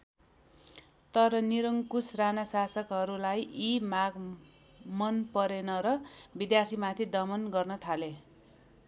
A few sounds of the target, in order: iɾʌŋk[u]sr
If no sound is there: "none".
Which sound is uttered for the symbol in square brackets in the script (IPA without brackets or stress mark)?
u